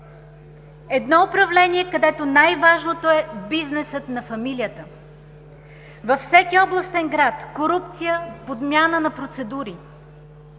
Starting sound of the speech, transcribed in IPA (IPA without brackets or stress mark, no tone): ɛ